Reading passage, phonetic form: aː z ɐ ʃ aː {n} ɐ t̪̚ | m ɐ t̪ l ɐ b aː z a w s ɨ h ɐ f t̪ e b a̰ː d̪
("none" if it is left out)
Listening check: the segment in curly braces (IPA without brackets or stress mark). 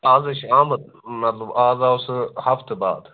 m